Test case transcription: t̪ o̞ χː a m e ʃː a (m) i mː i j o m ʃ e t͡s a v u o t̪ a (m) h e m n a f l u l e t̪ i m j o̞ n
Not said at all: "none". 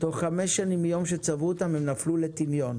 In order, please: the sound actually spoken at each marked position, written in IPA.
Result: n, m

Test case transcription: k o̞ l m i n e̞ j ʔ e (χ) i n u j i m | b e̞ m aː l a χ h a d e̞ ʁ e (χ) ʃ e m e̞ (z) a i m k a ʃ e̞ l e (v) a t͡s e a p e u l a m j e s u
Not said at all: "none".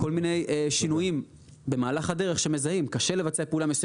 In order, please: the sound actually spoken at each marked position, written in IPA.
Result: ʃ, χ, z, v

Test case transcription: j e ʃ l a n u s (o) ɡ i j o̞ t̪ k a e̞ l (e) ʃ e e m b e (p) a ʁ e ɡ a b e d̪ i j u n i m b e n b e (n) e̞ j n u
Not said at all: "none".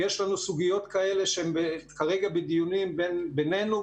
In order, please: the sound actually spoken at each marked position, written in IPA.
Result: u, e, k, n

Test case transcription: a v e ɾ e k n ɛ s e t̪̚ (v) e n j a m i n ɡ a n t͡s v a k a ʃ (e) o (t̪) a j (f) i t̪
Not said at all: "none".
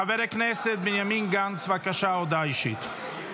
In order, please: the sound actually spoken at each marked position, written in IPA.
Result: b, a, d̪, ʃ

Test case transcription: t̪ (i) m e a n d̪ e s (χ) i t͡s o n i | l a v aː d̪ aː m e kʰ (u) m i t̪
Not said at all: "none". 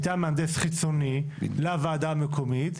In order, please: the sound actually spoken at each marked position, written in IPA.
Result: a, χ, o

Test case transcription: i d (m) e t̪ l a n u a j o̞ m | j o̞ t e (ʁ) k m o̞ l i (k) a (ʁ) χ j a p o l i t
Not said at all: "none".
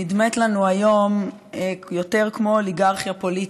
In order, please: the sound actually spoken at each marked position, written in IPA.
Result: m, ʁ, ɡ, ʁ

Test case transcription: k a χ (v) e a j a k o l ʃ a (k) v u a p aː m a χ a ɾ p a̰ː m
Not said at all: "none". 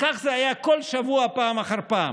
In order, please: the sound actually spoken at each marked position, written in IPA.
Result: z, none

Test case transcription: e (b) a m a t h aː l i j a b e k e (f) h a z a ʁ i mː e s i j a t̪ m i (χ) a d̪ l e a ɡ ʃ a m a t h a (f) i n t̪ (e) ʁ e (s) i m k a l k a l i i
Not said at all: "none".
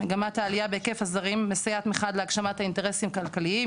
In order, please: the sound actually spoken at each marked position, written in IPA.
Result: ɡ, f, χ, none, e, s

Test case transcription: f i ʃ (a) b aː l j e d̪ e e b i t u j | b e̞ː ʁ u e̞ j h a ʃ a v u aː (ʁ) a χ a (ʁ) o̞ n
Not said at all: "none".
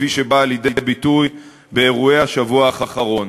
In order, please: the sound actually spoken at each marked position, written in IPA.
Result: e, χ, ʁ

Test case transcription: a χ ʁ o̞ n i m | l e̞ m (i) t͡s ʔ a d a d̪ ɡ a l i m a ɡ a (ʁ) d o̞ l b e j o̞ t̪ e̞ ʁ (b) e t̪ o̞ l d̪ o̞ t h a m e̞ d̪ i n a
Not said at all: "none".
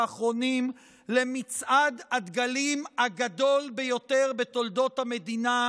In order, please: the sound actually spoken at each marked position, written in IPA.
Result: i, none, b

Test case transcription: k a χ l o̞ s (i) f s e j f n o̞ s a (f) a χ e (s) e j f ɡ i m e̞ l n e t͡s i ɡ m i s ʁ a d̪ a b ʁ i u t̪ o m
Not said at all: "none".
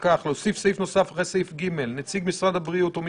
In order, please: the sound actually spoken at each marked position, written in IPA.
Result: i, f, s

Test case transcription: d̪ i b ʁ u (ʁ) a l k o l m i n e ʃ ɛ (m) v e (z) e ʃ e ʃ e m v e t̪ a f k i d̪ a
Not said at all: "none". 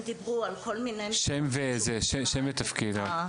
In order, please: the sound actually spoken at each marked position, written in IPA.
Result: none, m, z

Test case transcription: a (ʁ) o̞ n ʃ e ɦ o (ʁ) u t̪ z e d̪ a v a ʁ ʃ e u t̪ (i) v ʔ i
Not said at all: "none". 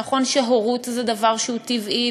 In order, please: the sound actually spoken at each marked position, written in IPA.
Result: χ, ʁ, i

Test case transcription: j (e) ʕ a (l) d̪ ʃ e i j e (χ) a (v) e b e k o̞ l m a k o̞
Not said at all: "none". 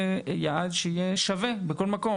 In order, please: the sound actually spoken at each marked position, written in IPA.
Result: a, none, ʃ, v

